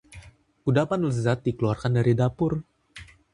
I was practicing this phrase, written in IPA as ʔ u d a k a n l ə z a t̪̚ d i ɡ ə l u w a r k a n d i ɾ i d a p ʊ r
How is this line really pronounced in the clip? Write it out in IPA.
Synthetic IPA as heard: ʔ u d a p a n l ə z a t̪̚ d i k ə l u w a r k a n d a ɾ i d a p ʊ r